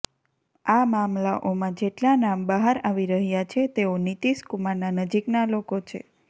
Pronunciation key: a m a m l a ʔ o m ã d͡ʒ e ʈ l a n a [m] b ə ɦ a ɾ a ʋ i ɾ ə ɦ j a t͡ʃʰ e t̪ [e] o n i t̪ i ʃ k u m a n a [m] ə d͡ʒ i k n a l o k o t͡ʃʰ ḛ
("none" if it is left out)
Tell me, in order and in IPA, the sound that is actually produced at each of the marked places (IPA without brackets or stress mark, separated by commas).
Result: m, e, n